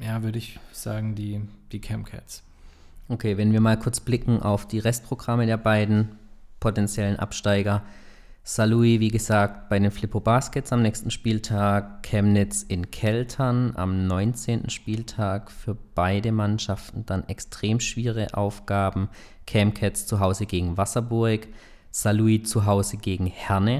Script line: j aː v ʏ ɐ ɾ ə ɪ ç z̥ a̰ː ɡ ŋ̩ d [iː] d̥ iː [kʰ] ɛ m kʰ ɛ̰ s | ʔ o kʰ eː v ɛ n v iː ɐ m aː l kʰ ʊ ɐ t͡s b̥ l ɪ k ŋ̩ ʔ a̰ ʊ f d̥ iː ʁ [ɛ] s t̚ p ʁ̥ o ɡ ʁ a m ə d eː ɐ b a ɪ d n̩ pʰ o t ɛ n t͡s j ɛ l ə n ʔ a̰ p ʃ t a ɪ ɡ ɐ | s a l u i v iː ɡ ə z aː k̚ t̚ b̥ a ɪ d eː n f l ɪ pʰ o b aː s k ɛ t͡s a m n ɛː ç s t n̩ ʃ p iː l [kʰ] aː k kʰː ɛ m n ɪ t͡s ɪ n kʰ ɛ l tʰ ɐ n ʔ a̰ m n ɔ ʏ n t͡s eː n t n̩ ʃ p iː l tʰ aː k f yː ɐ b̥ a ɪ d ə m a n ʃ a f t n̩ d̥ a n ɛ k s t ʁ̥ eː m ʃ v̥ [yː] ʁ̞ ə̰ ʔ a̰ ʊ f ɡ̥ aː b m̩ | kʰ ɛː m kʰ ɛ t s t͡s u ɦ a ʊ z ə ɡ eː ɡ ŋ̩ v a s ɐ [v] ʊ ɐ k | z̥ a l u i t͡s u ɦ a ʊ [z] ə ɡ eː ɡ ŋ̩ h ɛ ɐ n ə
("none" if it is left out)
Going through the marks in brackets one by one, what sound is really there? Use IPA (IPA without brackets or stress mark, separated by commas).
iː, kʰ, ɛ, tʰ, iː, b, z